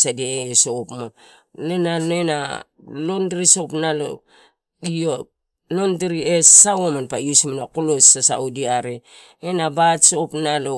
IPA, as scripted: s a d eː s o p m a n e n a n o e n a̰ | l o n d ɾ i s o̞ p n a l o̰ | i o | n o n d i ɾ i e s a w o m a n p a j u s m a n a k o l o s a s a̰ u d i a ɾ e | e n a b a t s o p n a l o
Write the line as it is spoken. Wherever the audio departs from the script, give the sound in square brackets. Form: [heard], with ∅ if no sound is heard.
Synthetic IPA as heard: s a d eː s o p m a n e n a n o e n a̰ | l o n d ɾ i s o̞ p n a l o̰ | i o | n o n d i ɾ i e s a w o m a n p a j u s m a n a k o l o s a s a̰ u d i a ɾ e | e n a b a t s o p n a l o